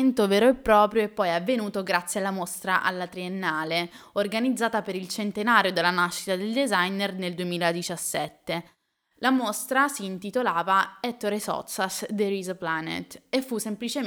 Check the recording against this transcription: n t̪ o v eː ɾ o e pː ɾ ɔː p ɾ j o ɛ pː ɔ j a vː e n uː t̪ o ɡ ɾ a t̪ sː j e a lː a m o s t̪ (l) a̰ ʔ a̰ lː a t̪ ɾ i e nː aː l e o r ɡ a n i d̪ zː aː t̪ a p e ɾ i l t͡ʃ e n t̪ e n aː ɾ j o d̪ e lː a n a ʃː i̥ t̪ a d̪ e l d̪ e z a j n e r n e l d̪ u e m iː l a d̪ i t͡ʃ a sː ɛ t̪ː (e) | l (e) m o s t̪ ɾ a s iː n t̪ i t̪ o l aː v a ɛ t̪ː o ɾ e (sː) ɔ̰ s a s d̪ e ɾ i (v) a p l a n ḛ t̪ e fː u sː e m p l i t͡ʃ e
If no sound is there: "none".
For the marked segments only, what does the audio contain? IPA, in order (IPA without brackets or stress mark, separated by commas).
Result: ɾ, e, a, s, z